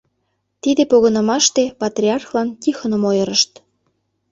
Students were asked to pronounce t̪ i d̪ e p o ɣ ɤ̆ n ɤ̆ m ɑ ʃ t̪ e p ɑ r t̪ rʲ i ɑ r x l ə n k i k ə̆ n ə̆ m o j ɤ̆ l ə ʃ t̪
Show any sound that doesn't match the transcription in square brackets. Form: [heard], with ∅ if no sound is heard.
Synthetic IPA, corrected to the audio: t̪ i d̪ e p o ɣ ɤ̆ n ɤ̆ m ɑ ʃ t̪ e p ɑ [∅] t̪ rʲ i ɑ r x l [ɑ] n k i [x] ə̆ n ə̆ m o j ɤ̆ [ɾ] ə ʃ t̪